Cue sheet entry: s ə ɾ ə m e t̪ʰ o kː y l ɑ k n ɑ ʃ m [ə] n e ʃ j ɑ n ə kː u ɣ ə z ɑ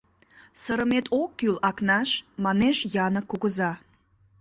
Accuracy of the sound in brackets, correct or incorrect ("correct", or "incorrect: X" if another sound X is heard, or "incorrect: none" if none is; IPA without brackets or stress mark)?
incorrect: ɑ